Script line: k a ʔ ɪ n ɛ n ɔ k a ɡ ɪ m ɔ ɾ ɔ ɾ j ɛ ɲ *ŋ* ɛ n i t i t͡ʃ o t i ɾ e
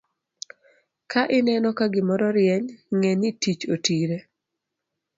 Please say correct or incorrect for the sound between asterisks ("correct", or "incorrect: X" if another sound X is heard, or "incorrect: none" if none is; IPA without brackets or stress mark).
correct